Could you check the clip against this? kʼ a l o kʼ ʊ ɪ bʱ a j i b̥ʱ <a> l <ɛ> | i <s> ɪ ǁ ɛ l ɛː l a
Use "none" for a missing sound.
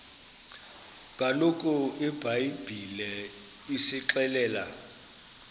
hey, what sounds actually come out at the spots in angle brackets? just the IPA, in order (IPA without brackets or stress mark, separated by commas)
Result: i, ɛ, s